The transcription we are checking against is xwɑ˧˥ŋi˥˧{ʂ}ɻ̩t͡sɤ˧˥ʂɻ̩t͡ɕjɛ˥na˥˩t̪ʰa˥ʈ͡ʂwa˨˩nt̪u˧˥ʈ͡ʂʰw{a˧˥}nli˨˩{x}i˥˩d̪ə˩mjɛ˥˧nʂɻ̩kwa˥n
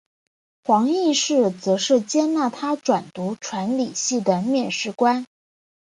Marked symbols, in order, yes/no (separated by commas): yes, yes, no